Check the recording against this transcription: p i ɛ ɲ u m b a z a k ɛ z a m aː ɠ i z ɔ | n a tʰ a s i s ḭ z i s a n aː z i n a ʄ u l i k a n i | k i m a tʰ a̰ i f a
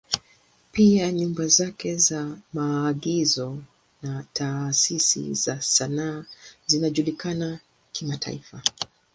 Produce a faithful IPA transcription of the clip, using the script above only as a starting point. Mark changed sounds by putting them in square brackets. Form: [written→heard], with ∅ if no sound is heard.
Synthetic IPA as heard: p i [ɛ→a] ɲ u m b a z a k ɛ z a m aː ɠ i z ɔ | n a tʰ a s i s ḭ z [i→a] s a n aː z i n a ʄ u l i k a n [i→a] | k i m a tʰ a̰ i f a